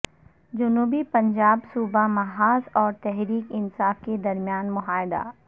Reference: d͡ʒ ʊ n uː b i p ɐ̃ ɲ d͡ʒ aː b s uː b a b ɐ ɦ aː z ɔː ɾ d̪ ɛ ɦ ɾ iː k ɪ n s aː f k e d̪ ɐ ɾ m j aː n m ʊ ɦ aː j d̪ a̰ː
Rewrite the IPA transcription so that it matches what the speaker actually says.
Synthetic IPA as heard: d͡ʒ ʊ n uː b i p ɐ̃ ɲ d͡ʒ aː b s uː b a m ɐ ɦ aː z ɔː ɾ t̪ ɛ ɦ ɾ iː k ɪ n s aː f k e d̪ ɐ ɾ m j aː n m ʊ ɦ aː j d̪ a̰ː